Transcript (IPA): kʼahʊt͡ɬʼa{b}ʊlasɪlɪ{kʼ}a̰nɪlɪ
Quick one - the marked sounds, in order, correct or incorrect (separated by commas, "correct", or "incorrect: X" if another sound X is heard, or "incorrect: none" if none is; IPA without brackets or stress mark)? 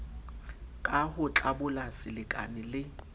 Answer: correct, correct